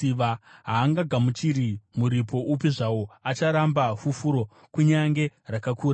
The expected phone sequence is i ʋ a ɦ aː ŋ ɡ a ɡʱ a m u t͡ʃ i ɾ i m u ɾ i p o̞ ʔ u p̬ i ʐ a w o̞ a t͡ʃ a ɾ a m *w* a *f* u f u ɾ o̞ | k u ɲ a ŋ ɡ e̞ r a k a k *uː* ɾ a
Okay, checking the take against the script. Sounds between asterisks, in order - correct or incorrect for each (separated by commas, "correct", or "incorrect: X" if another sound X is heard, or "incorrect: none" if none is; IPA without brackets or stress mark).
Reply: incorrect: b, correct, correct